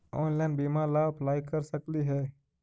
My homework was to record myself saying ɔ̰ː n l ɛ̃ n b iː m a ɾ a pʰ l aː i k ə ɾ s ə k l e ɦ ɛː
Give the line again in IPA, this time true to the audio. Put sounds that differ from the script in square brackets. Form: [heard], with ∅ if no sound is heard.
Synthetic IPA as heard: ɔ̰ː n l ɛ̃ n b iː m a [l] a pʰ l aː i k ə ɾ s ə k l [i] ɦ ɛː